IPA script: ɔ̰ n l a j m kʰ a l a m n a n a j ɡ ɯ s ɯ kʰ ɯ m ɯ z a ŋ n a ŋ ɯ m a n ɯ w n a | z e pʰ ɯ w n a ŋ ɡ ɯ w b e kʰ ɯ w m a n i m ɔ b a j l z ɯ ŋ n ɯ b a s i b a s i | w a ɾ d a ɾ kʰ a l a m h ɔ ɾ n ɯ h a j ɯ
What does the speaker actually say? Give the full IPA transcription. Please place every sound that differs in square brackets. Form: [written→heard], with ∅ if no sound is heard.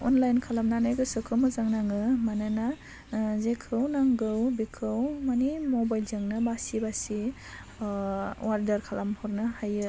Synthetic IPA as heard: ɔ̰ n l a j [m→n] kʰ a l a m n a n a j ɡ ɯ s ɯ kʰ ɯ m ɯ z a ŋ n a ŋ ɯ m a n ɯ [w→∅] n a | z e [pʰ→kʰ] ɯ w n a ŋ ɡ ɯ w b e kʰ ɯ w m a n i m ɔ b a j l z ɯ ŋ n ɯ b a s i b a s i | w a ɾ d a ɾ kʰ a l a m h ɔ ɾ n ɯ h a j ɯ